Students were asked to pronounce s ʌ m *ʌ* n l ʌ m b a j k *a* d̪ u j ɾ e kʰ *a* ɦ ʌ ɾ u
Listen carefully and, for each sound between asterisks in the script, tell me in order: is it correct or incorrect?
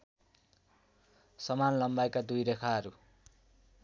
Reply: incorrect, correct, correct

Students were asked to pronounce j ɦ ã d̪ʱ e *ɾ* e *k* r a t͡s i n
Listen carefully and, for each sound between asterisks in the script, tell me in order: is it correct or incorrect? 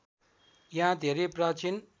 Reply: correct, incorrect

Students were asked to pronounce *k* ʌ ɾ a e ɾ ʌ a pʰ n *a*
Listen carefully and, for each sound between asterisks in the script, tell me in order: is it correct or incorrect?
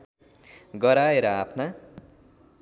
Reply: incorrect, correct

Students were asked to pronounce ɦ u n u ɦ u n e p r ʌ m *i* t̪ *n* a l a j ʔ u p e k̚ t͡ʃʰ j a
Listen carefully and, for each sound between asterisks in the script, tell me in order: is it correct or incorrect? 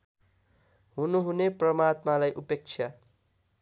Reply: incorrect, incorrect

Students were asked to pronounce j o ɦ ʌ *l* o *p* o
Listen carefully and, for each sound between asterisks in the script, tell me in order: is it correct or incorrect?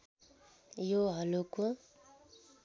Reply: correct, incorrect

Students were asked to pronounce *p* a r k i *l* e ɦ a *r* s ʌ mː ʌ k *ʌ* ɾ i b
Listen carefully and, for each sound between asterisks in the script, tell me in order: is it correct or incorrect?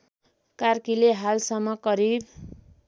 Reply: incorrect, correct, incorrect, correct

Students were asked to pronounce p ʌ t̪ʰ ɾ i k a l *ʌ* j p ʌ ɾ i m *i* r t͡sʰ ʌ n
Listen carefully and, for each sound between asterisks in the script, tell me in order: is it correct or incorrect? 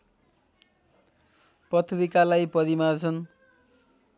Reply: incorrect, incorrect

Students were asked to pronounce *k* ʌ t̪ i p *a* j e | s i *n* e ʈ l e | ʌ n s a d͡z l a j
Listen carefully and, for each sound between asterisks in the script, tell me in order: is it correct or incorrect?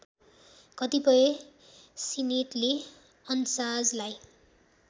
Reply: correct, incorrect, correct

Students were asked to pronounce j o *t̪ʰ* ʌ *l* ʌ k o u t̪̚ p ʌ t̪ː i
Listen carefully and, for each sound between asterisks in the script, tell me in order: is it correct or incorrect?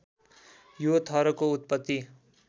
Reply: correct, incorrect

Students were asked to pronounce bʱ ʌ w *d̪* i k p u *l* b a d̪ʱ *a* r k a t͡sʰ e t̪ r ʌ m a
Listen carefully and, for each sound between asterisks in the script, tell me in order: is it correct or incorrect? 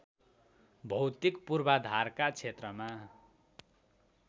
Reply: incorrect, incorrect, correct

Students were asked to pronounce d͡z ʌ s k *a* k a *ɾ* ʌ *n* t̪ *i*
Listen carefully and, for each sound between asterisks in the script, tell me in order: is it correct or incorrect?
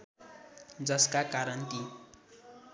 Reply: correct, correct, correct, correct

